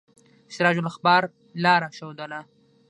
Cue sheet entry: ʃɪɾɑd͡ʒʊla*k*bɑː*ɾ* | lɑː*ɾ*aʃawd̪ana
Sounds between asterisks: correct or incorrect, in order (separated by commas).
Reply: incorrect, correct, correct